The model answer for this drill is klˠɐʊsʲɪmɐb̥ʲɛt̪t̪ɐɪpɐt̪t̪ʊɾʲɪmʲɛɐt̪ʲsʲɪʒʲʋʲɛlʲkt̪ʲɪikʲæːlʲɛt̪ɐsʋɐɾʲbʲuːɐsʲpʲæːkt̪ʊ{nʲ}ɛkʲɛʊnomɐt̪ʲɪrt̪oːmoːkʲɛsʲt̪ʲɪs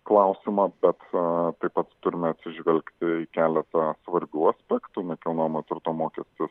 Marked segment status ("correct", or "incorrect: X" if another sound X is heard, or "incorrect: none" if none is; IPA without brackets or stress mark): correct